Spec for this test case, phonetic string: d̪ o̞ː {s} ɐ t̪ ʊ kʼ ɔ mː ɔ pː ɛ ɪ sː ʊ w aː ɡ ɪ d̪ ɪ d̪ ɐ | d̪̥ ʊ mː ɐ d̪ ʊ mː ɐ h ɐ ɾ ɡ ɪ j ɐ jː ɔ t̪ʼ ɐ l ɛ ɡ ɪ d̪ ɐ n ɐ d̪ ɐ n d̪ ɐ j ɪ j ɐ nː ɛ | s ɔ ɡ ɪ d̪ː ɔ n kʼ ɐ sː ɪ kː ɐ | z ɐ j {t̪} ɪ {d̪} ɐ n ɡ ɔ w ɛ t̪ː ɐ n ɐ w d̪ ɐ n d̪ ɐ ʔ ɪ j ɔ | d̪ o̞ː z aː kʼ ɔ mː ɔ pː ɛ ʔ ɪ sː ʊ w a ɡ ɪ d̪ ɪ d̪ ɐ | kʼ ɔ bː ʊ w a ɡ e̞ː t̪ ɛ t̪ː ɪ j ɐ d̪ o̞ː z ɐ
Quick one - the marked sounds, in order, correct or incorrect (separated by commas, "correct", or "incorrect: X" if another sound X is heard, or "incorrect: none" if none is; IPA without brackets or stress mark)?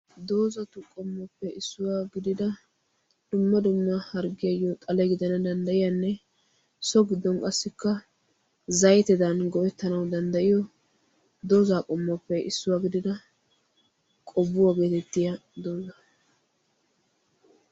incorrect: z, correct, correct